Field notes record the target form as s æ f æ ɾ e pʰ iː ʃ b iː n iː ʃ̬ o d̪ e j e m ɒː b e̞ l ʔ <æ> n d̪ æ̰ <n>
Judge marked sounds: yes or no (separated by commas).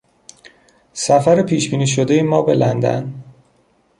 yes, yes